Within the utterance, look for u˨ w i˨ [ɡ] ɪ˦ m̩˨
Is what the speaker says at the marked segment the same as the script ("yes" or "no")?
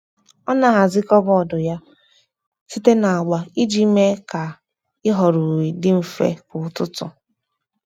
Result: no